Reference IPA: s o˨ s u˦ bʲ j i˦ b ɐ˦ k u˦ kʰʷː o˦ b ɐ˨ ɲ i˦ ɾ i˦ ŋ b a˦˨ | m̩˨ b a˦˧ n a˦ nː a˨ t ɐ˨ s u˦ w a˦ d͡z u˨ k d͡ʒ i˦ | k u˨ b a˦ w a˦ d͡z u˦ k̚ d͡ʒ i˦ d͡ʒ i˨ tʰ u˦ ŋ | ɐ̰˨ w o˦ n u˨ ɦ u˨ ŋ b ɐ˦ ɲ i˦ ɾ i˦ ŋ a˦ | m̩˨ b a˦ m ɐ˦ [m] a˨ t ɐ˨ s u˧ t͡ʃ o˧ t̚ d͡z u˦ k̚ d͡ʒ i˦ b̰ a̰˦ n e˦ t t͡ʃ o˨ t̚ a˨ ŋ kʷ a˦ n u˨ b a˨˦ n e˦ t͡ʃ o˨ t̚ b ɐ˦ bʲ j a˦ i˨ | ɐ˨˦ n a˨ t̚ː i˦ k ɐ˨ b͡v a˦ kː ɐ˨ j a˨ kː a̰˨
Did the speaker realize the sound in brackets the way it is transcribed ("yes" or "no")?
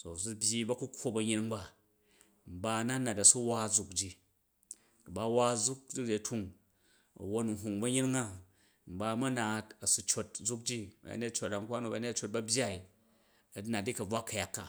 no